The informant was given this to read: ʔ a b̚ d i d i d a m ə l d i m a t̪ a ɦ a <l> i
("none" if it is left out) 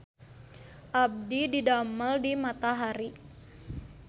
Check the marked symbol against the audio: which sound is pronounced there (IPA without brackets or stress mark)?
ɾ